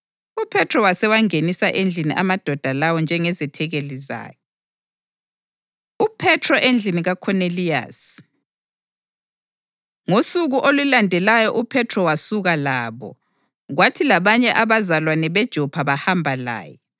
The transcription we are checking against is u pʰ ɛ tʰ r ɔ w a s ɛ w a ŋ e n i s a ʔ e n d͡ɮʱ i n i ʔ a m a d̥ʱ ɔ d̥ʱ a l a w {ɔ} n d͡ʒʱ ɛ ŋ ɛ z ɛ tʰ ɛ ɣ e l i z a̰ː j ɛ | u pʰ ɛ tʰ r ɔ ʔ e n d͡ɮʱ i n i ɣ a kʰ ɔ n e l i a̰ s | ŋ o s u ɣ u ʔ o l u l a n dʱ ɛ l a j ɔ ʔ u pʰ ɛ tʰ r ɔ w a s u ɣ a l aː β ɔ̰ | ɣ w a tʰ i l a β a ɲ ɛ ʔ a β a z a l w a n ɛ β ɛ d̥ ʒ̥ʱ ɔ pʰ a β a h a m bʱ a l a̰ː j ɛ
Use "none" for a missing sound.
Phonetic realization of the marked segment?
ɔ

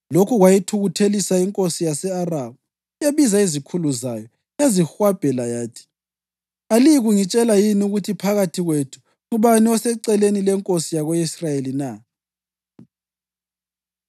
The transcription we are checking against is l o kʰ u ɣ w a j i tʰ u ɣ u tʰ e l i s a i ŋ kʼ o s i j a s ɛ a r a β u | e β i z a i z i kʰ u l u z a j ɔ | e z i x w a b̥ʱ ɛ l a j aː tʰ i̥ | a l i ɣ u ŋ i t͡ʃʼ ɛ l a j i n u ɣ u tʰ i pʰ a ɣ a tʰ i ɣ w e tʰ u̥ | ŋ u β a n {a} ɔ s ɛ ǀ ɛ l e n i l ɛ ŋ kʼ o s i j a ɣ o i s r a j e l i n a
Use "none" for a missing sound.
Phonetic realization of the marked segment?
i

